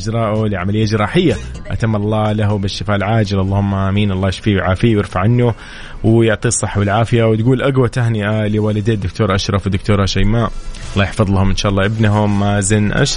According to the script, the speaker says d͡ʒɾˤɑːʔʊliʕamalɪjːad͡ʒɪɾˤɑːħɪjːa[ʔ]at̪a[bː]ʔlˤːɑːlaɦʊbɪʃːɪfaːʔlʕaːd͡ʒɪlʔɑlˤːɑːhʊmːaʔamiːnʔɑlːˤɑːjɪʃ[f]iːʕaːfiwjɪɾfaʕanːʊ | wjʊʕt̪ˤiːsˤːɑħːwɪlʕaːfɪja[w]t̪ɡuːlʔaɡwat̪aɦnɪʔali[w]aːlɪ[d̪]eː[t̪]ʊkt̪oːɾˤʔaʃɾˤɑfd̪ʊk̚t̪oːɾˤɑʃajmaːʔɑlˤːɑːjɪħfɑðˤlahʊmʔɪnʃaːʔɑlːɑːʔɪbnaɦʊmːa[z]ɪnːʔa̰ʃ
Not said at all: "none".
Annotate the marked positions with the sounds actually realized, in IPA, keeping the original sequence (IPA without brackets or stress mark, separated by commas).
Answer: ʔ, mː, f, w, w, d̪, d̪, z